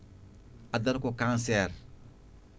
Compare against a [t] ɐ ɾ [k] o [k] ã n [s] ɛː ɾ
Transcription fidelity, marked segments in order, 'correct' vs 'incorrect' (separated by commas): incorrect, correct, correct, correct